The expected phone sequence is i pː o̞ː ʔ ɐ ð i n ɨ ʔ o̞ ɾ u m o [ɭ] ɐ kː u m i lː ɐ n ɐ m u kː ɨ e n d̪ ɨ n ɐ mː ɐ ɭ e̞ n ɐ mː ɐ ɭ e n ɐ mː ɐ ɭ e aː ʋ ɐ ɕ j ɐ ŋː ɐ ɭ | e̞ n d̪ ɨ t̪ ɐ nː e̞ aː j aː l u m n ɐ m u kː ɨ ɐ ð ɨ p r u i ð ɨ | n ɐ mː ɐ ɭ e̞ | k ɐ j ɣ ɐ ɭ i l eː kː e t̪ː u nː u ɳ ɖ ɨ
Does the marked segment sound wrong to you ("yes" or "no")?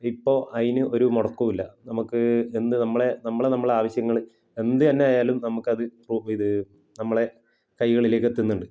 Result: yes